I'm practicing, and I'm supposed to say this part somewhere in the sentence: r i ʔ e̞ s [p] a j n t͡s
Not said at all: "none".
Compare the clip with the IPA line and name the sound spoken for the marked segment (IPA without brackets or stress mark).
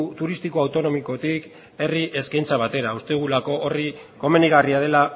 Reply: k